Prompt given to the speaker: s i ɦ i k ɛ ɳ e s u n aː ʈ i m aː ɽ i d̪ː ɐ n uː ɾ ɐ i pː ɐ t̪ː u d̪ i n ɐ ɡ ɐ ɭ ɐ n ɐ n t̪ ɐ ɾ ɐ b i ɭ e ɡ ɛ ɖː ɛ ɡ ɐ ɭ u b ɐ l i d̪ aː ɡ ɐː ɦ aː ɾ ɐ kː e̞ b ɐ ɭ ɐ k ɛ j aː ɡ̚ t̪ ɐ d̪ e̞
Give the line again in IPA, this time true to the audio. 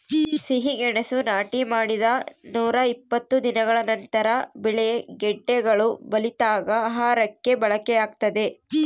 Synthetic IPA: s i ɦ i ɡ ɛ ɳ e s u n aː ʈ i m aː ɽ i d̪ ɐ n uː ɾ ɐ i pː ɐ t̪ː u d̪ i n ɐ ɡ ɐ ɭ ɐ n ɐ n t̪ ɐ ɾ ɐ b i ɭ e ɡ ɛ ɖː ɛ ɡ ɐ ɭ u b ɐ l i t̪ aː ɡ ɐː ɦ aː ɾ ɐ kː e̞ b ɐ ɭ ɐ k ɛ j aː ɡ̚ t̪ ɐ d̪ e̞